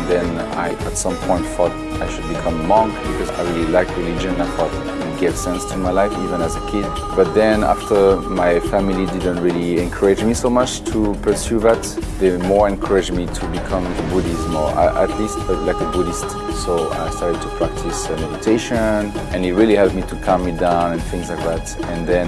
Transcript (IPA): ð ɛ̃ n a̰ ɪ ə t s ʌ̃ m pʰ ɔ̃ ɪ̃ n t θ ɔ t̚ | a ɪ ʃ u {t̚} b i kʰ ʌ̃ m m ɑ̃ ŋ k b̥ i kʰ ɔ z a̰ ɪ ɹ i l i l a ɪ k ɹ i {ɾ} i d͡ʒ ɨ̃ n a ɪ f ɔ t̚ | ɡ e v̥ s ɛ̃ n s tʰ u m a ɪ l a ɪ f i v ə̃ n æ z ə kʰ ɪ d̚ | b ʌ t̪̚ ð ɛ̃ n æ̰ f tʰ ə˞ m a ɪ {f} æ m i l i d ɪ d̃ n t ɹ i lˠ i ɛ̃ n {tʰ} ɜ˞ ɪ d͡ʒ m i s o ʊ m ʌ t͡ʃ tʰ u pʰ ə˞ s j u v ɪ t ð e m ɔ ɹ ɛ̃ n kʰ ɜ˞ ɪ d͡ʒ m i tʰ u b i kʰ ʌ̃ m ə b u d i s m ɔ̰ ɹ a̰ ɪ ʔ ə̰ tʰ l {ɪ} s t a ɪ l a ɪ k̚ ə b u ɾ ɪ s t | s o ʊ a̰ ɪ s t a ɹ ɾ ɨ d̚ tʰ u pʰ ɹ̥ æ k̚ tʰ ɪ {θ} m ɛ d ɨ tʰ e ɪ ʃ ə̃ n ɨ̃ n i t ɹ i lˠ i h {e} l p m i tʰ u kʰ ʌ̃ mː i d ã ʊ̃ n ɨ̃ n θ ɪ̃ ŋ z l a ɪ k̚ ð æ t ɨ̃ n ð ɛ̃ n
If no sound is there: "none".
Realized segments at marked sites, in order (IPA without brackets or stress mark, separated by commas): d̚, l, f, kʰ, i, s, ɛ